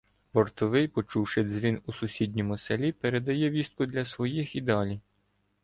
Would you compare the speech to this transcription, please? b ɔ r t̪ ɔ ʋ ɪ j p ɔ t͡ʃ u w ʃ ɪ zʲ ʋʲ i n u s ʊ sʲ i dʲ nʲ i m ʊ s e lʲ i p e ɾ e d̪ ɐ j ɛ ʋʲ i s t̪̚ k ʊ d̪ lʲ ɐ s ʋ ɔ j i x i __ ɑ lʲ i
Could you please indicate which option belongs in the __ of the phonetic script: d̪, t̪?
d̪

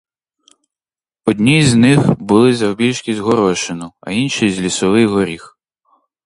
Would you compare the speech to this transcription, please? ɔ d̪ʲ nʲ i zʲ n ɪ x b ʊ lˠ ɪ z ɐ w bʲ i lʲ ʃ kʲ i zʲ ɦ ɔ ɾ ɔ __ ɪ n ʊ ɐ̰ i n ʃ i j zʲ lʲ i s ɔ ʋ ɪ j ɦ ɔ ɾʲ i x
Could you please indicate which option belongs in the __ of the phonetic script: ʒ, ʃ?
ʃ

